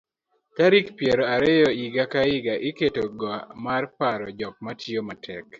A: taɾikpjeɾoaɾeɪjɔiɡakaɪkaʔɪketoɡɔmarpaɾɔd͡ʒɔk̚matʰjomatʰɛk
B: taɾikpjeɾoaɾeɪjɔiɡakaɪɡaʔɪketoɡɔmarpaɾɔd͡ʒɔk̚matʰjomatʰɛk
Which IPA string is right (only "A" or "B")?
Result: B